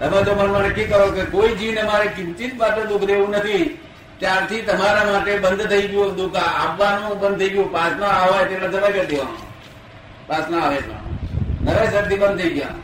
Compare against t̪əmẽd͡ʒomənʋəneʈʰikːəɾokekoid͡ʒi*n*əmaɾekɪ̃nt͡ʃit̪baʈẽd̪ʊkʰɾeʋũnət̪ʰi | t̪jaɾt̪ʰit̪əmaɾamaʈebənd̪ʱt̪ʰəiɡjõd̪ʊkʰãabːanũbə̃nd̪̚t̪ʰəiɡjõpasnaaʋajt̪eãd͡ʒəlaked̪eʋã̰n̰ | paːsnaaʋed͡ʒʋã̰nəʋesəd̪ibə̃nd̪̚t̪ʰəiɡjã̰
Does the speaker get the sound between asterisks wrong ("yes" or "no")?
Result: no